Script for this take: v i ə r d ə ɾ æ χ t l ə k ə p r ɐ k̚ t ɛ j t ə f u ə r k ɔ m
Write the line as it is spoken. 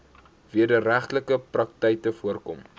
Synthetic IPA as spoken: v i ə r d ə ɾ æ χ t l ə k ə p r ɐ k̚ t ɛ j t ə f u ə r k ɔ m